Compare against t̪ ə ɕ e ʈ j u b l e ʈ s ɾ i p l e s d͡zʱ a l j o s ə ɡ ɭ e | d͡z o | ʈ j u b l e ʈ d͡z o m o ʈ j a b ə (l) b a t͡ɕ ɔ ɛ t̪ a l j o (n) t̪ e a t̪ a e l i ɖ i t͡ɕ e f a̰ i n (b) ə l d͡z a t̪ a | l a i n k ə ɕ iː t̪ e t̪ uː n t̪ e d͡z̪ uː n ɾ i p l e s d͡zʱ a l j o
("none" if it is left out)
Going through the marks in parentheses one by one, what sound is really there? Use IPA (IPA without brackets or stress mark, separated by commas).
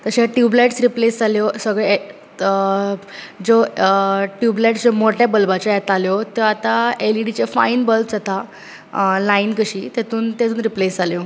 l, none, b